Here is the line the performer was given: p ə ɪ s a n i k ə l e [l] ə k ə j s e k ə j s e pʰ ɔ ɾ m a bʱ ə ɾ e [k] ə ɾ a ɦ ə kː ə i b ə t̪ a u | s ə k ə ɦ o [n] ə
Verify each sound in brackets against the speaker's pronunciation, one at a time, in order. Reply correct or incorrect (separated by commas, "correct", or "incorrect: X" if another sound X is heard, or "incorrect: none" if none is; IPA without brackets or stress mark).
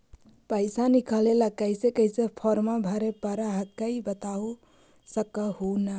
correct, incorrect: p, correct